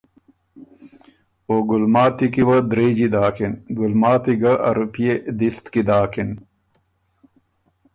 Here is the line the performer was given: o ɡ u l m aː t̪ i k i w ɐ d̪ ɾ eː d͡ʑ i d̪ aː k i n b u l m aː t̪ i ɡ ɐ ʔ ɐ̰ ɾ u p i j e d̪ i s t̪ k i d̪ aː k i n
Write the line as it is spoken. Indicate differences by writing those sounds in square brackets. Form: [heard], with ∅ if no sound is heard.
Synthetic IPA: o ɡ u l m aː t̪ i k i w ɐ d̪ ɾ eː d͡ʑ i d̪ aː k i n [ɡ] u l m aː t̪ i ɡ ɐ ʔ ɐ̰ ɾ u p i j e d̪ i s t̪ k i d̪ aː k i n